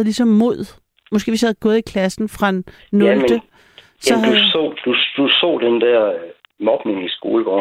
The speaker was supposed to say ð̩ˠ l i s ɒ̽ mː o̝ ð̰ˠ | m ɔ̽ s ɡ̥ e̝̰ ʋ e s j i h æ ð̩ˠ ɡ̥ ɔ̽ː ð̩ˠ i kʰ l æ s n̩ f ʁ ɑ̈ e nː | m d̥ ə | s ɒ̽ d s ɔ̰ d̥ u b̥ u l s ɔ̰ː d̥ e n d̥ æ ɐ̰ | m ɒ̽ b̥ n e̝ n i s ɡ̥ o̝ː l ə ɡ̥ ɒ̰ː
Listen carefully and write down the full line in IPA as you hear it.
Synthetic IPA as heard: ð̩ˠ l i s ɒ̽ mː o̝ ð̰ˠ | m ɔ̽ s ɡ̥ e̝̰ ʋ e s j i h æ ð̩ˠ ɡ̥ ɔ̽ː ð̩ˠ i kʰ l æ s n̩ f ʁ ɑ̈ e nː | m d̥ ə | s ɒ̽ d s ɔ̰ d̥ u d̥ u s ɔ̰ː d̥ e n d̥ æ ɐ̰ | m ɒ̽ b̥ n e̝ ŋ i s ɡ̥ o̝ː l ə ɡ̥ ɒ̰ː